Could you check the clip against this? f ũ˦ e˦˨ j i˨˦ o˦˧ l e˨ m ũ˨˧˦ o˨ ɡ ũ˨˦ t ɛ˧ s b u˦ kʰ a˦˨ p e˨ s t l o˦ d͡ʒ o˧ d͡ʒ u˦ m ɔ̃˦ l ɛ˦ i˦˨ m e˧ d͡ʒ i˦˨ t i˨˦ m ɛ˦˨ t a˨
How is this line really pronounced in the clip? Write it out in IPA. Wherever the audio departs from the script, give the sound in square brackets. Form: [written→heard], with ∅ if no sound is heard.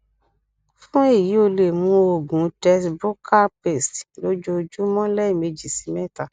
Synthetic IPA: f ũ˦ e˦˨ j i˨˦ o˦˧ l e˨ m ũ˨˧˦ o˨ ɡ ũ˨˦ t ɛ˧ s b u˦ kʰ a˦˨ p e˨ s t l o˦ d͡ʒ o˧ d͡ʒ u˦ m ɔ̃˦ l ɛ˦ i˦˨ m e˧ d͡ʒ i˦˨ [t→s] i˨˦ m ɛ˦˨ t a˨